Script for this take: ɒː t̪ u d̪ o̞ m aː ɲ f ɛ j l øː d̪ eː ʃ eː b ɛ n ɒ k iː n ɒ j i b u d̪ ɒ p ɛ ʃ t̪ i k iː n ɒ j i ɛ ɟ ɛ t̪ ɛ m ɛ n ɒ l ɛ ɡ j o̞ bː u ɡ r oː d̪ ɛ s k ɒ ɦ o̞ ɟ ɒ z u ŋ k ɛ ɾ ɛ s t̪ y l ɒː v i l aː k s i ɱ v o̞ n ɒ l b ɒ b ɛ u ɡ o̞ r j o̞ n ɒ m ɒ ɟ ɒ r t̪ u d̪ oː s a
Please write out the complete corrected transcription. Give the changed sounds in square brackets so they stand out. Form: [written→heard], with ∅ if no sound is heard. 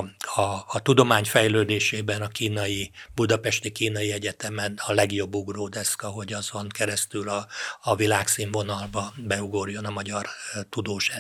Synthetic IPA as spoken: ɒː t̪ u d̪ o̞ m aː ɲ f ɛ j l øː d̪ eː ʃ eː b ɛ n ɒ k iː n ɒ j i b u d̪ ɒ p ɛ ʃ t̪ i k iː n ɒ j i ɛ ɟ ɛ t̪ ɛ m ɛ n ɒ l ɛ ɡ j o̞ bː u ɡ r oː d̪ ɛ s k ɒ ɦ o̞ ɟ ɒ z [u→o] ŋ k ɛ ɾ ɛ s t̪ y l ɒː v i l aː k s i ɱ v o̞ n ɒ l b ɒ b ɛ u ɡ o̞ r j o̞ n ɒ m ɒ ɟ ɒ r t̪ u d̪ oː [s→ʃ] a